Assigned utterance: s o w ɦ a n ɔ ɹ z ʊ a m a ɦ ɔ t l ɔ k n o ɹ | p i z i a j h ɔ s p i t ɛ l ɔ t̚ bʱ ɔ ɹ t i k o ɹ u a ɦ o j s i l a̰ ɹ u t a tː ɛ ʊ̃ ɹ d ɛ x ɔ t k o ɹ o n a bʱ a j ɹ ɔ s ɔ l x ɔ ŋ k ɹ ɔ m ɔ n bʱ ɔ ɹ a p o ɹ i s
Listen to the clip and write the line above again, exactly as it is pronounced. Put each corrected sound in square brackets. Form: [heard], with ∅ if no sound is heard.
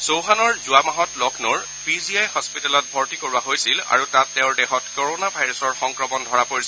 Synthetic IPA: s o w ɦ a n ɔ ɹ z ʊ a m a ɦ ɔ t l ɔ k n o ɹ | p i z i a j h ɔ s p i t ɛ l ɔ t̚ bʱ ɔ ɹ t i k o ɹ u a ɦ o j s i l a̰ ɹ u t a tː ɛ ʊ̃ ɹ d ɛ x ɔ t k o ɹ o n a bʱ a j ɹ ɔ s ɔ [ɹ] x ɔ ŋ k ɹ ɔ m ɔ n [dʱ] ɔ ɹ a p o ɹ i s